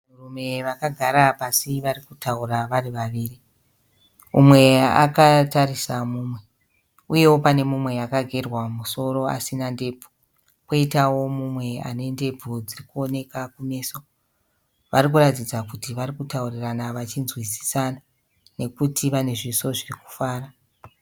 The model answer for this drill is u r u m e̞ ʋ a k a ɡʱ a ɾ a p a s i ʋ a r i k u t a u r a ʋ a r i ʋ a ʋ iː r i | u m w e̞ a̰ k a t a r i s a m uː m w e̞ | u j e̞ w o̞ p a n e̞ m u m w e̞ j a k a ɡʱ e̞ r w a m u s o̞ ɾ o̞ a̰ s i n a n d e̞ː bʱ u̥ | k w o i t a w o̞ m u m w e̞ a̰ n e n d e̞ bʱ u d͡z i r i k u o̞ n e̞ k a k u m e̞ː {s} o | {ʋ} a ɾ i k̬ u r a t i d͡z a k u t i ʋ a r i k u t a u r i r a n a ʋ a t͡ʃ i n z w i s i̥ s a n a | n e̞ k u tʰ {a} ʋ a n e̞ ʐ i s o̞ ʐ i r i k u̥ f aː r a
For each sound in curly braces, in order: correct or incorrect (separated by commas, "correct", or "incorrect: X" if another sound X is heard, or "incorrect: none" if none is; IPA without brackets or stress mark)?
correct, correct, incorrect: i